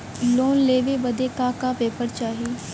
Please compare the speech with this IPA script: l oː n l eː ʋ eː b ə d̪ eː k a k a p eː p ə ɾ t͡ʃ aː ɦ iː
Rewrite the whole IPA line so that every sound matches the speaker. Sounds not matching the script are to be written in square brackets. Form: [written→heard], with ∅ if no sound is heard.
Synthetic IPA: l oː n l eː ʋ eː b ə d̪ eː k a k a p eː p ə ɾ t͡ʃ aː ɦ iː